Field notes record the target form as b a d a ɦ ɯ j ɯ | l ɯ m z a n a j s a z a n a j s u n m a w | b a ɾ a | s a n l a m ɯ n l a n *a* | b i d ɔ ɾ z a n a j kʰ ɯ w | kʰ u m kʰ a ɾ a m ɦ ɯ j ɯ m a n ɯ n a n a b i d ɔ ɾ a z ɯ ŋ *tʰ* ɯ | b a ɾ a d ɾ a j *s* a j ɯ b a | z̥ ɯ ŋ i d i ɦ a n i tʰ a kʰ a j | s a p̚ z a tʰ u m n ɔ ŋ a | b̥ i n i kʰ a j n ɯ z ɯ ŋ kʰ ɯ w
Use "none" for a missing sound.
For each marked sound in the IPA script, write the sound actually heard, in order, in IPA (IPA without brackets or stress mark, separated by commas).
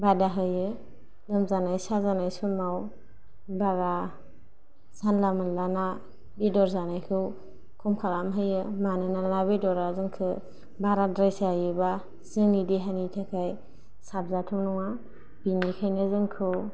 a, kʰ, s